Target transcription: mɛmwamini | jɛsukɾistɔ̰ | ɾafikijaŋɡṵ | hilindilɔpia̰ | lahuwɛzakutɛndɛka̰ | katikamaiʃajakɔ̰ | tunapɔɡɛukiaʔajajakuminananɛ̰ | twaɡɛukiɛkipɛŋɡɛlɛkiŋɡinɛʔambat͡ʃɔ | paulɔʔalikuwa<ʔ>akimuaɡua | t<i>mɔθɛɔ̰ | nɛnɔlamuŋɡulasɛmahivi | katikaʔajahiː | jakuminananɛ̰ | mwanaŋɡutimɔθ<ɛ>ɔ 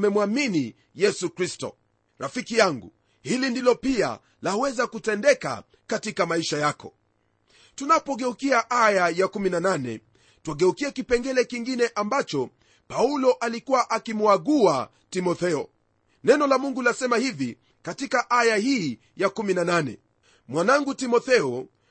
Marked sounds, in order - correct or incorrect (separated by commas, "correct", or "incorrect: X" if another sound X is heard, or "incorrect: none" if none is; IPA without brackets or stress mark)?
correct, correct, correct